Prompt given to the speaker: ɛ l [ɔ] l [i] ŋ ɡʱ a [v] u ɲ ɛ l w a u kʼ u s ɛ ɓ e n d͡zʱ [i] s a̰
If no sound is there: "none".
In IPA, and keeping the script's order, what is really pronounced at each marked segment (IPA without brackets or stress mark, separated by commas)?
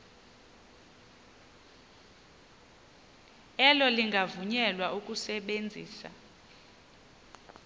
ɔ, i, v, iː